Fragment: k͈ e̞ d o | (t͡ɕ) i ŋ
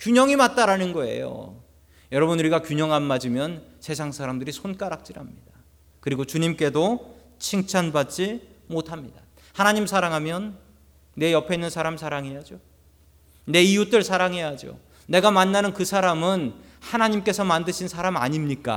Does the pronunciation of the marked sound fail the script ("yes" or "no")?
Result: yes